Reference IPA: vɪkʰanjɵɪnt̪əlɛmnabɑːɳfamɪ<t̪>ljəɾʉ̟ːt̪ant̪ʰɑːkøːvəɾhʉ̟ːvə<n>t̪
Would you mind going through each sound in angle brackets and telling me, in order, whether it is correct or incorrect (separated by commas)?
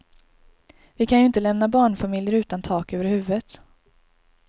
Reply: incorrect, incorrect